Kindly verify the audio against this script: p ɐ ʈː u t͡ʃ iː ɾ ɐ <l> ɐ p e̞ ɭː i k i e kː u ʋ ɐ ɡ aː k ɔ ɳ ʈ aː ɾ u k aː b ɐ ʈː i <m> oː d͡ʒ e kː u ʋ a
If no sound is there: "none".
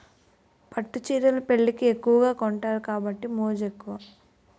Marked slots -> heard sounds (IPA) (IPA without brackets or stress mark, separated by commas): l, m